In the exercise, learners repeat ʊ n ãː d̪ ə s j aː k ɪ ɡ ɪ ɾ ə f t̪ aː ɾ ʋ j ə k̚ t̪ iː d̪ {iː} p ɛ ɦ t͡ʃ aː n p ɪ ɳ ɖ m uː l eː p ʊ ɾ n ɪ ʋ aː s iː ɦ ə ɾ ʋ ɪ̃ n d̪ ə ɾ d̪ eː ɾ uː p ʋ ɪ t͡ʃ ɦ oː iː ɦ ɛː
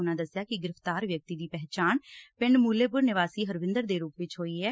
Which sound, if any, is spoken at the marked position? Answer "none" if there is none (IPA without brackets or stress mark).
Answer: iː